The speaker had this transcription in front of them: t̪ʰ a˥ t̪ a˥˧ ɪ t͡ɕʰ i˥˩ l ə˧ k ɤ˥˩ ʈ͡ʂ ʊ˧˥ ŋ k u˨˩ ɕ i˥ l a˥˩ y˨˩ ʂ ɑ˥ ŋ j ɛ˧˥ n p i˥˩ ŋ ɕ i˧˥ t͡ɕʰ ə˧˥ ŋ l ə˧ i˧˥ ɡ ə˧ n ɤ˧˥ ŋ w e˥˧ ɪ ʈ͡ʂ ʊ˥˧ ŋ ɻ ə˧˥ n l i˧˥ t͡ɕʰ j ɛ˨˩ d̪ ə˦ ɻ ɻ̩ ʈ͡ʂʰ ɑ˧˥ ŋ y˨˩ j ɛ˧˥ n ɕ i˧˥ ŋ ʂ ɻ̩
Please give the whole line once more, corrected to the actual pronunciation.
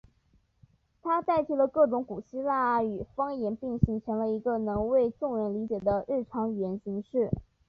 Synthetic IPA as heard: t̪ʰ a˥ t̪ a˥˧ ɪ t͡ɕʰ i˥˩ l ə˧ k ɤ˥˩ ʈ͡ʂ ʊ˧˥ ŋ k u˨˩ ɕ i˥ l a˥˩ y˨˩ f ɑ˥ ŋ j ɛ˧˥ n p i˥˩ ŋ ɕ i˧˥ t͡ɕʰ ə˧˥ ŋ l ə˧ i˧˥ ɡ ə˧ n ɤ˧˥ ŋ w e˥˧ ɪ ʈ͡ʂ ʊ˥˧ ŋ ɻ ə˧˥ n l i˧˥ t͡ɕ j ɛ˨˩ d̪ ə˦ ɻ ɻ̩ ʈ͡ʂʰ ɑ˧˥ ŋ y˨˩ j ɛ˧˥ n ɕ i˧˥ ŋ ʂ ɻ̩

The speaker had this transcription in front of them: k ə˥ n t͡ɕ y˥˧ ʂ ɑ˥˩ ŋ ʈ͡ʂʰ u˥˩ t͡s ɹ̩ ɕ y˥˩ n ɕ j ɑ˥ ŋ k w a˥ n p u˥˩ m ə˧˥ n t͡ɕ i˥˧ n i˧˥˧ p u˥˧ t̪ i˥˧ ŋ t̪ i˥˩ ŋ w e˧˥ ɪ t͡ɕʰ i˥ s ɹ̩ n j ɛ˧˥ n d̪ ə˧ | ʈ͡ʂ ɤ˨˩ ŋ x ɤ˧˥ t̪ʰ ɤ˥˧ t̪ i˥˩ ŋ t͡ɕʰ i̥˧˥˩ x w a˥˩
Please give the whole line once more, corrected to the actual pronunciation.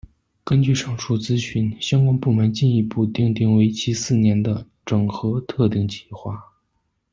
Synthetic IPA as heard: k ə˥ n t͡ɕ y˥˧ ʂ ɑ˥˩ ŋ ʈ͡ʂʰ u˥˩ t͡s ɹ̩ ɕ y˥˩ n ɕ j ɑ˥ ŋ k w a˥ n p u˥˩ m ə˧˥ n t͡ɕ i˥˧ n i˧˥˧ p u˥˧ t̪ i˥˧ ŋ t̪ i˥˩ ŋ w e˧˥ ɪ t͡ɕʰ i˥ s ɹ̩ n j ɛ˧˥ n d̪ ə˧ | ʈ͡ʂ ɤ˨˩ ŋ x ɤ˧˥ t̪ʰ ɤ˥˧ t̪ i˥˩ ŋ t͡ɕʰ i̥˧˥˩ x w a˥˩

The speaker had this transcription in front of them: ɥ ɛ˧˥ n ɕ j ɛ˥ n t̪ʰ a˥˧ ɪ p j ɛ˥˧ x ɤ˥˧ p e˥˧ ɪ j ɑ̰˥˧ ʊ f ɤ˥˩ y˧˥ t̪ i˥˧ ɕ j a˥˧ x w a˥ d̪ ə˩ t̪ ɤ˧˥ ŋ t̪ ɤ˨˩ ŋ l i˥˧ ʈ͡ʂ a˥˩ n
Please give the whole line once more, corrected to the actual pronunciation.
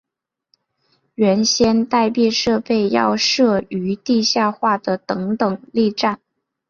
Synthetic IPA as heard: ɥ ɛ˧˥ n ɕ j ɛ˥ n t̪ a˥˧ ɪ p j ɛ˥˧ ʂ ɤ˥˧ p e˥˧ ɪ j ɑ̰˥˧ ʊ ʂ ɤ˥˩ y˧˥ t̪ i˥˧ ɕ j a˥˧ x w a˥˩ d̪ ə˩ t̪ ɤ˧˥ ŋ t̪ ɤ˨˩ ŋ l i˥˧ ʈ͡ʂ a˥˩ n

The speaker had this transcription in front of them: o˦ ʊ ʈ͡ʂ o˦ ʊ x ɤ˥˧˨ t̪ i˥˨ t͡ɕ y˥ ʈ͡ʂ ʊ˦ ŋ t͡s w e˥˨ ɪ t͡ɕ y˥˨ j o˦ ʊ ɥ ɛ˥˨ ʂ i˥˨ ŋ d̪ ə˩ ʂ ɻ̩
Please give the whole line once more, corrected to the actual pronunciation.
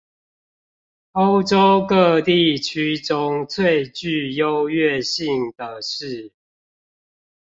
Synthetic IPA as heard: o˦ ʊ ʈ͡ʂ o˦ ʊ k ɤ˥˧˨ t̪ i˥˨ t͡ɕʰ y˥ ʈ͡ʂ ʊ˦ ŋ t͡sʰ w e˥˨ ɪ t͡ɕ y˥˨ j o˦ ʊ ɥ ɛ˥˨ ɕ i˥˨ ŋ d̪ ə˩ ʂ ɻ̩

